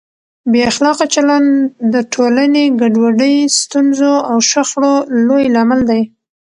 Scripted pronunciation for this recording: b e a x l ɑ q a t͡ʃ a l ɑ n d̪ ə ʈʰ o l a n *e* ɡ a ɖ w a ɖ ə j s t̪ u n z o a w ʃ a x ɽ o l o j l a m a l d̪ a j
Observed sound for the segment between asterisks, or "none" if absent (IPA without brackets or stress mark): e